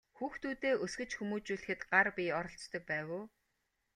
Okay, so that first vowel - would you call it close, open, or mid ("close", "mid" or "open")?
close